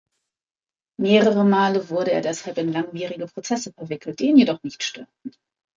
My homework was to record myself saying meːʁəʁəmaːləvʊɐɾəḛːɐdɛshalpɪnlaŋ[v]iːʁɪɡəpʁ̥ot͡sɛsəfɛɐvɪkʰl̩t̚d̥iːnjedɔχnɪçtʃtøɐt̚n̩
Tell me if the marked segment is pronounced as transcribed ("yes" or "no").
yes